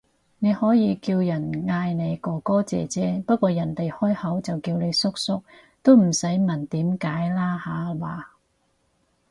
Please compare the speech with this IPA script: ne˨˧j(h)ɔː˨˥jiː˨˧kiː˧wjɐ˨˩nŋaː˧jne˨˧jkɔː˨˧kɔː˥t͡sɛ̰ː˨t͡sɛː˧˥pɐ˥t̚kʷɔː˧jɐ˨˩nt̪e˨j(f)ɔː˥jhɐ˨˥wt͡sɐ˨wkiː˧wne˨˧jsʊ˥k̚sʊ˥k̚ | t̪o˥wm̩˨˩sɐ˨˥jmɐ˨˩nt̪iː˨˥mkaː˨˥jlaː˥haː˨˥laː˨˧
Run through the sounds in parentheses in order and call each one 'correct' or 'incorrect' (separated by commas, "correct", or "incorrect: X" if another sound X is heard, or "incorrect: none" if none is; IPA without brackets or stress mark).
correct, incorrect: h